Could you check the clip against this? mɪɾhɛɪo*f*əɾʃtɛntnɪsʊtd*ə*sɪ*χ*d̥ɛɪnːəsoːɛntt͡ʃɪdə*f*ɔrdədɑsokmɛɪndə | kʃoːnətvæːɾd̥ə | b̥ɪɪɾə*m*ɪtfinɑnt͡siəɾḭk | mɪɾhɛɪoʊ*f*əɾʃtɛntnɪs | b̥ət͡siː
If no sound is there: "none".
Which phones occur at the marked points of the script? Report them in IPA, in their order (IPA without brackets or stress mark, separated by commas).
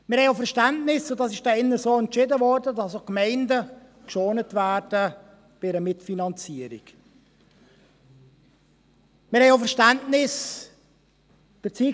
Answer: f, ɑ, ʃ, v, m, f